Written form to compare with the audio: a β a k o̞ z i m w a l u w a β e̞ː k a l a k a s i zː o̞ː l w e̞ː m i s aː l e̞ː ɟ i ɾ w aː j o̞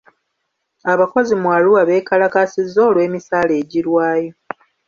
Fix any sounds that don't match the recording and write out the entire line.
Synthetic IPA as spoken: a β a k o̞ z i m w a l u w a β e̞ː k a l a k a s i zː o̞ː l w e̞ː m i s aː l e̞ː ɟ i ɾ w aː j o̞